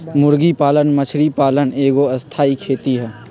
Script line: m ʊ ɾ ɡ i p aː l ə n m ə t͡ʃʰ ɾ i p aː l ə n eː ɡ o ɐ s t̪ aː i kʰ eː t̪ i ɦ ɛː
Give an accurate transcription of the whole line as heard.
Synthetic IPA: m ʊ ɾ ɡ i p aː l ə n m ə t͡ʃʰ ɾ i p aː l ə n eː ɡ o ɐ s t̪ʰ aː i kʰ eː t̪ i ɦ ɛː